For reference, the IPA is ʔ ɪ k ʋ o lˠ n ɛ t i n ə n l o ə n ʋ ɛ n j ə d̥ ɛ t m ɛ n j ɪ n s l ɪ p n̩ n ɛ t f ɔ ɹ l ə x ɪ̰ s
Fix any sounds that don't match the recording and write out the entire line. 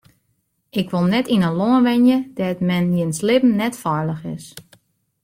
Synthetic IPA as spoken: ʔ ɪ k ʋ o lˠ n ɛ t i n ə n l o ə n ʋ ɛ n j ə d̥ ɛ t m ɛ n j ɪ n s l ɪ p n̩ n ɛ t f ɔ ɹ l ə x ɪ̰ s